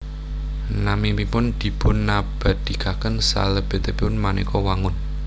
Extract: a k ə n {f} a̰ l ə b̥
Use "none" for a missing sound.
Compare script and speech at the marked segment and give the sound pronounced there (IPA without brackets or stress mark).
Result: s